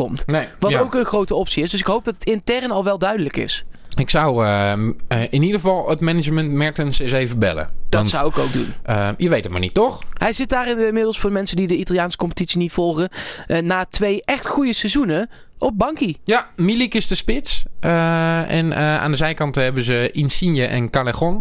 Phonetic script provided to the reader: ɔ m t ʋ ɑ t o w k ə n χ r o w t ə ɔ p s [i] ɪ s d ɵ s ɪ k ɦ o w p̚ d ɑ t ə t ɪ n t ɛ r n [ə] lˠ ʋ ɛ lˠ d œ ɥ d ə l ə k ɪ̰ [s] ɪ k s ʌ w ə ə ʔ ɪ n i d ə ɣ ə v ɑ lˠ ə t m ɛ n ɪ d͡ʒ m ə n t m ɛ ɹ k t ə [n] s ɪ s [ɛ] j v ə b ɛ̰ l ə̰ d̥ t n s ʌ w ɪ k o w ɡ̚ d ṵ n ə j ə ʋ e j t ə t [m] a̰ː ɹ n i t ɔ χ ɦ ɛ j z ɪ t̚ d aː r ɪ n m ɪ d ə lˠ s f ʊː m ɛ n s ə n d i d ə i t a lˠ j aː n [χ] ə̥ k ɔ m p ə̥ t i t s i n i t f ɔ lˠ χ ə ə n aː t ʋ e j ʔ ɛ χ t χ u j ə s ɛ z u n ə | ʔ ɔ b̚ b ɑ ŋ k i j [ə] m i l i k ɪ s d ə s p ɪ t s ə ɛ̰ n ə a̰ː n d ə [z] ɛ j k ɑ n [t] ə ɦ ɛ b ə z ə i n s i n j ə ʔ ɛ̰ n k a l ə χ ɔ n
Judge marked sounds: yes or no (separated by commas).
yes, no, yes, yes, no, yes, no, no, yes, yes